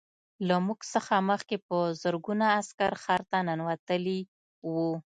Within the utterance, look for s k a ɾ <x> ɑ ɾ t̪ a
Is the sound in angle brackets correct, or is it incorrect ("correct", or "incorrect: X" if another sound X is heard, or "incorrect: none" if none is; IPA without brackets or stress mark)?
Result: correct